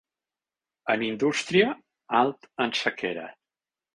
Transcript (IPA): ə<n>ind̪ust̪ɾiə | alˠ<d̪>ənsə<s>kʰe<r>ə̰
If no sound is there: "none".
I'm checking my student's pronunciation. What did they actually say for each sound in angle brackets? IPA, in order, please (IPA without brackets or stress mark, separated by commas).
n, t̪, none, ɾ